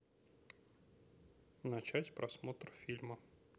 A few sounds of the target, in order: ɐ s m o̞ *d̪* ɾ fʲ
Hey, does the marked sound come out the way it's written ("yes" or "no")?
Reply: no